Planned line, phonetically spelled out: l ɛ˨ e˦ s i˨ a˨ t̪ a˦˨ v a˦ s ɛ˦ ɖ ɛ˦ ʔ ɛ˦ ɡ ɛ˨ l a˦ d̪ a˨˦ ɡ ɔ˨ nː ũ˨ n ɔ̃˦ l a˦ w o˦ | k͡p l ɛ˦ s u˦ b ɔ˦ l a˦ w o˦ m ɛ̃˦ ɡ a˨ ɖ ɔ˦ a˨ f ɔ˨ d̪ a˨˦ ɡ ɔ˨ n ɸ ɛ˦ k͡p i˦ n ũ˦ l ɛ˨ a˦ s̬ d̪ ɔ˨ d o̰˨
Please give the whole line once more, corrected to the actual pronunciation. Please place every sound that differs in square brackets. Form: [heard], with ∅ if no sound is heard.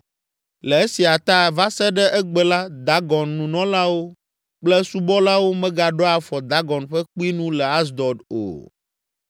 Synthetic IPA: l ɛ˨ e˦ s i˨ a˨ t̪ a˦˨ v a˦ s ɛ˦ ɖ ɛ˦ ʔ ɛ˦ [ɡ͡b] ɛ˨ l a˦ d̪ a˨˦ ɡ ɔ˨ nː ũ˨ n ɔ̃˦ l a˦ w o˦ | k͡p l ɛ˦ s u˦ b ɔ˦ l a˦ w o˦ m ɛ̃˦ ɡ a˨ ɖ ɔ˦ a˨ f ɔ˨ d̪ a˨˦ ɡ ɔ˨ n ɸ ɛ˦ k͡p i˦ n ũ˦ l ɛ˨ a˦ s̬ d̪ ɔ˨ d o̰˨